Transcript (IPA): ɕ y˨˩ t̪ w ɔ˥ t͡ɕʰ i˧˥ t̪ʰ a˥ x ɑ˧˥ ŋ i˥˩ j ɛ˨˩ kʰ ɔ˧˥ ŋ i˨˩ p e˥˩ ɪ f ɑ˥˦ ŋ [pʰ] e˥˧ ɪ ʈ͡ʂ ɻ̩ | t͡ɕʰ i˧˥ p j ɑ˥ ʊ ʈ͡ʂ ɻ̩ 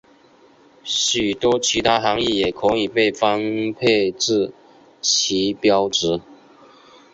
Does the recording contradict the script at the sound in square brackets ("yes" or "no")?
no